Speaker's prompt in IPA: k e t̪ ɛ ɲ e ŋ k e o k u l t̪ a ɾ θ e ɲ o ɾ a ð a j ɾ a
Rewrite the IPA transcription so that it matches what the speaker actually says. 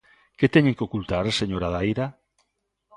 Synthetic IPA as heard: k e t̪ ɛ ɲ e ŋ k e o k u l t̪ a ɾ s e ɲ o ɾ a ð a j ɾ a